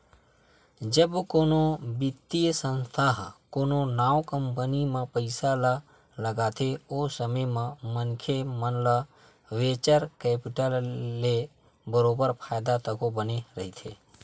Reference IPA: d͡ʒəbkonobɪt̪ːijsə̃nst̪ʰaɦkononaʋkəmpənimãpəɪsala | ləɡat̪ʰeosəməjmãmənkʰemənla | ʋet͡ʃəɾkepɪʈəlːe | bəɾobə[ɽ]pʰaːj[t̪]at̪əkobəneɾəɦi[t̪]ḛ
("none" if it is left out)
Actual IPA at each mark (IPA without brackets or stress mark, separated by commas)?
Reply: ɾ, d̪, t̪ʰ